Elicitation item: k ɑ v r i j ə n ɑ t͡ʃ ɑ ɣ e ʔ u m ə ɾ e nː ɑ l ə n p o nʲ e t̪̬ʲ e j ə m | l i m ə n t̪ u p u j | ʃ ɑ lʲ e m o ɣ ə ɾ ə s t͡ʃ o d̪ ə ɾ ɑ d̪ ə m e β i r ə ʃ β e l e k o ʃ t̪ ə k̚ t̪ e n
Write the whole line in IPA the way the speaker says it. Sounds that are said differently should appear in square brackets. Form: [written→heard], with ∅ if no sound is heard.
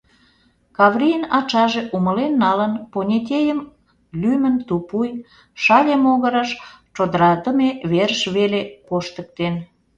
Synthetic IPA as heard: k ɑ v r i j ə n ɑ t͡ʃ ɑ [ɣ→ʒ] e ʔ u m ə [ɾ→l] e nː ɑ l ə n p o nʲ e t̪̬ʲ e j ə m | l [i→y] m ə n t̪ u p u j | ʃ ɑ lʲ e m o ɣ ə ɾ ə [s→ʃ] t͡ʃ o d̪ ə ɾ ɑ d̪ ə m e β [i→e] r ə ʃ β e l e k o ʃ t̪ ə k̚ t̪ e n